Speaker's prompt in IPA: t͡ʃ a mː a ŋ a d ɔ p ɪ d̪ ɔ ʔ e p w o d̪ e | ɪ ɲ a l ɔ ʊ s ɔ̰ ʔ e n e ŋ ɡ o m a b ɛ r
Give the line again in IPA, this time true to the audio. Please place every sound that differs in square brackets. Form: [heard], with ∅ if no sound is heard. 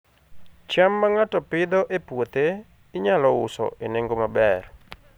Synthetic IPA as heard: t͡ʃ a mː a ŋ a [t] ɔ p ɪ d̪ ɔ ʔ e p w o [t̪] e | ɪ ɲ a l ɔ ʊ s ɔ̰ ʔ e n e ŋ ɡ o m a b ɛ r